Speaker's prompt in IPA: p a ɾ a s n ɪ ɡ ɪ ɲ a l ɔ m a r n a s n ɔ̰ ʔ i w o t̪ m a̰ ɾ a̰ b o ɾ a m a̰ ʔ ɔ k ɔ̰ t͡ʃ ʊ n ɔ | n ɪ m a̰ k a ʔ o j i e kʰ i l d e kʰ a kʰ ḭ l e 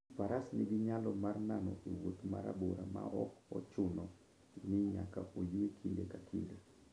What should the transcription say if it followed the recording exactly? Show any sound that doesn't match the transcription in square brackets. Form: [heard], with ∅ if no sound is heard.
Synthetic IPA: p a ɾ a s n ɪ ɡ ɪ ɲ a l ɔ m a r n a [∅] n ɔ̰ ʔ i w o t̪ m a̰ ɾ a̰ b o ɾ a m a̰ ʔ ɔ k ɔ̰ t͡ʃ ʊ n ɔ | n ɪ [ɲ] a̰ k a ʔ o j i e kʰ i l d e [k] a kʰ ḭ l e

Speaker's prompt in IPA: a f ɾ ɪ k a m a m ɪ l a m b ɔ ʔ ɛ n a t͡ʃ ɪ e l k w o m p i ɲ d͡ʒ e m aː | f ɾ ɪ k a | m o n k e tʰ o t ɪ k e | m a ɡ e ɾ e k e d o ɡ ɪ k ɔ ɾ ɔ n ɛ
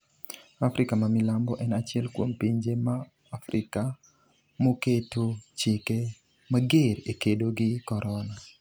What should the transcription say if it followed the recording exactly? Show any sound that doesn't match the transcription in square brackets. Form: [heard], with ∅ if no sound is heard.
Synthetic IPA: a f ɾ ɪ k a m a m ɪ l a m b ɔ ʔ ɛ n a t͡ʃ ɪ [ɛ] l k w o m p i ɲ d͡ʒ e m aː | f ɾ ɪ k a | m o [∅] k e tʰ o [t͡ʃ] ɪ k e | m a ɡ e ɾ e k e d o ɡ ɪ k ɔ ɾ ɔ n [a]

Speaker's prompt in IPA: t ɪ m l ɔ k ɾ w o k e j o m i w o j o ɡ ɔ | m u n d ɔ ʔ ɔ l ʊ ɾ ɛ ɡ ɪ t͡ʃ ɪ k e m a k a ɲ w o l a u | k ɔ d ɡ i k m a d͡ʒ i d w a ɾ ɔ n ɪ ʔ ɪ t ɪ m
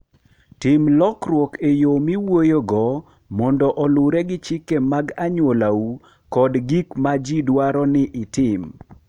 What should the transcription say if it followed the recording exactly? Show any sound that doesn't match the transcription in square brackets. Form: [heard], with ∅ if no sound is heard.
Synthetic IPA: t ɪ m l ɔ k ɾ w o k e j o m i w o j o ɡ ɔ | m [ɔ] n d ɔ ʔ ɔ l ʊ ɾ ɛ ɡ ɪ t͡ʃ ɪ k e m a [ɡ] a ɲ w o l a u | k ɔ d ɡ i k m a d͡ʒ i d w a ɾ ɔ n ɪ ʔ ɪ t ɪ m

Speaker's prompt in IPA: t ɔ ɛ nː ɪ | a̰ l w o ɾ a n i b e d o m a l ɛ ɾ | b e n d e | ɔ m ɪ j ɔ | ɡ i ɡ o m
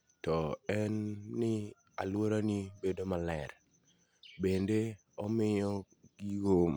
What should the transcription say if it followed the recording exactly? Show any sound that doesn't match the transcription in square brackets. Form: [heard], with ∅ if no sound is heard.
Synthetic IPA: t ɔ ɛ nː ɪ | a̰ l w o ɾ a n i b e d o m a l ɛ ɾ | b e n d e | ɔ m ɪ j ɔ | ɡ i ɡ o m

